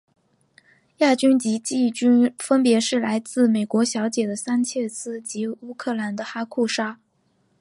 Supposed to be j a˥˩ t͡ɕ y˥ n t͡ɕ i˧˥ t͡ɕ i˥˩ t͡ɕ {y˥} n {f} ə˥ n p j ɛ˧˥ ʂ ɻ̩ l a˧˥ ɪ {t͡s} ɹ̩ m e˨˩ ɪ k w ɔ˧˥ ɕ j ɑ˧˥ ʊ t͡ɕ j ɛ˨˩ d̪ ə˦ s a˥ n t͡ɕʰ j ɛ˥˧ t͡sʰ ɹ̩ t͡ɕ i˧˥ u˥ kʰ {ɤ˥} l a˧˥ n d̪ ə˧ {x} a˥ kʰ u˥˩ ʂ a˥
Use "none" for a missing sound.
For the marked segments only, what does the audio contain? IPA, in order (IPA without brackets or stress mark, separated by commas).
y˥, f, t͡s, ɤ˥˩, x